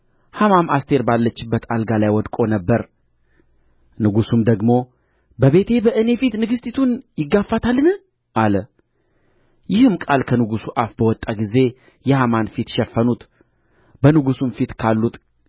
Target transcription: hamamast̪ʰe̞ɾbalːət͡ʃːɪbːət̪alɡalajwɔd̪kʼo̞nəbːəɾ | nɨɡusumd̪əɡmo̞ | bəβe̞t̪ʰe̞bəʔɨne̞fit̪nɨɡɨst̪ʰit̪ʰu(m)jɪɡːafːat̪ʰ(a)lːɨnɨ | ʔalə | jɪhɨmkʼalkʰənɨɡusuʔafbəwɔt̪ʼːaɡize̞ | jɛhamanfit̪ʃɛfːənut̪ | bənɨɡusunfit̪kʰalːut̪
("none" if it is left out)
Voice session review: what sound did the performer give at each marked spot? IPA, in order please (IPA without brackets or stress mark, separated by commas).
n, a